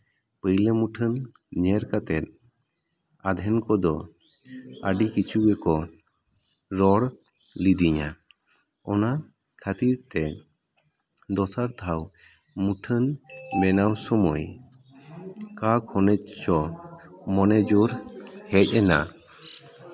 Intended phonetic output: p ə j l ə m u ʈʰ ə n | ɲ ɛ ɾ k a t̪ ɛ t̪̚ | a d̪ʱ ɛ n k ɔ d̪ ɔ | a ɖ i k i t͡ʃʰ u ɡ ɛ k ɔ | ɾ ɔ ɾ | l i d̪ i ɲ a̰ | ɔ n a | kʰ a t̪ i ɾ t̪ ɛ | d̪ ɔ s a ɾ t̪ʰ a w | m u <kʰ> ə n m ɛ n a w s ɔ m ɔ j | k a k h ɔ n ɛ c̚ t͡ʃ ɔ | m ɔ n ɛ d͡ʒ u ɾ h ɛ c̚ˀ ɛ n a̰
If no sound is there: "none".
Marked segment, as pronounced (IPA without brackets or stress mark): ʈʰ